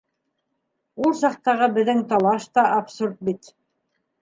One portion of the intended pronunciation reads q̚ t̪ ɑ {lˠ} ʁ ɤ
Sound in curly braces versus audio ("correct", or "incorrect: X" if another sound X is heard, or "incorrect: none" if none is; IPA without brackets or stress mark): incorrect: none